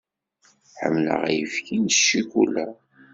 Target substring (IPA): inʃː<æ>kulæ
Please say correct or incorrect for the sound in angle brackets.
incorrect